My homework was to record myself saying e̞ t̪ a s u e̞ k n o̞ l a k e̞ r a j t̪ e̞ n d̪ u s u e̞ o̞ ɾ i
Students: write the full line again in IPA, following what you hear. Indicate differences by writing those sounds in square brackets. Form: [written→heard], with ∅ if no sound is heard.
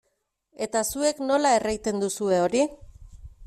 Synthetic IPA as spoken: e̞ t̪ a s u e̞ k n o̞ l a [k→∅] e̞ r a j t̪ e̞ n d̪ u s u e̞ o̞ ɾ i